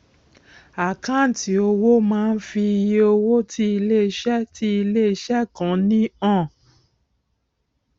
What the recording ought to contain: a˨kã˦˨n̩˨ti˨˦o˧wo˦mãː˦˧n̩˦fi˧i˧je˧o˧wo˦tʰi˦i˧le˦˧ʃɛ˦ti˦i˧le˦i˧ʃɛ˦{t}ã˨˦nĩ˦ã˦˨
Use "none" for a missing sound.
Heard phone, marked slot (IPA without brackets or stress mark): k